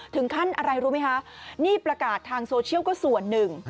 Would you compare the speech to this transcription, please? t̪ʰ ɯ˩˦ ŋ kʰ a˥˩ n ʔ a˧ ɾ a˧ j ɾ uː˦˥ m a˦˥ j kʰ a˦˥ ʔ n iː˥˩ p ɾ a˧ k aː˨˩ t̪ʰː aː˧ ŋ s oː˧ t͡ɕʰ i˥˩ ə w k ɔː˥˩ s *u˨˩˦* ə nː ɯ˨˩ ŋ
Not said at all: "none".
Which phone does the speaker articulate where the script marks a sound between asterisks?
u˨˩˦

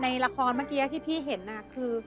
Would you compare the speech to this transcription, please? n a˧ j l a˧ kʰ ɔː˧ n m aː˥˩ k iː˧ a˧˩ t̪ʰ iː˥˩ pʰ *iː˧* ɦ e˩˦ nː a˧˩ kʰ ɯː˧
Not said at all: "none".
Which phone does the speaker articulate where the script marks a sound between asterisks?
iː˥˩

